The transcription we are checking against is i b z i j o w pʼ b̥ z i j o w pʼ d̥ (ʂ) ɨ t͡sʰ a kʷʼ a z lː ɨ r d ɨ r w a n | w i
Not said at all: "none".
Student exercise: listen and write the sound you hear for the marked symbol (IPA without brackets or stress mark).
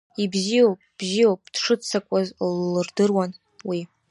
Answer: ʂ